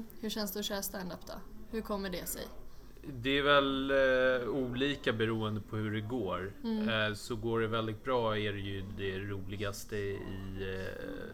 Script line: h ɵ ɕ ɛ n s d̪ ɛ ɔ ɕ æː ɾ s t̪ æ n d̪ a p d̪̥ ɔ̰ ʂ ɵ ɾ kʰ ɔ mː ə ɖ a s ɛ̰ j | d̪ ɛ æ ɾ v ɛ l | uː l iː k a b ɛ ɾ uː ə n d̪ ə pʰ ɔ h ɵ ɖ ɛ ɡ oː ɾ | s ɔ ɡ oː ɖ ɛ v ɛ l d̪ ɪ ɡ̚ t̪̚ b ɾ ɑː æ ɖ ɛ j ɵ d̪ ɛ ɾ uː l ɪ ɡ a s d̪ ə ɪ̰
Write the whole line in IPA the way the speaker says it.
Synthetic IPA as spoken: h ɵ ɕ ɛ n s d̪ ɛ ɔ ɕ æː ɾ s t̪ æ n d̪ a p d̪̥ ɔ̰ h ɵ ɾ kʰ ɔ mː ə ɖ ɛ s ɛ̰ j | d̪ ɛ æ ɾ v ɛ l | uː l iː k a b ɛ ɾ uː ə n d̪ ə pʰ ɔ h ɵ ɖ ɛ ɡ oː ɾ | s ɔ ɡ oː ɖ ɛ v ɛ l d̪ ɪ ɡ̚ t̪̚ b ɾ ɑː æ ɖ ɛ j ɵ d̪ ɛ ɾ uː l ɪ ɡ a s t̪ ə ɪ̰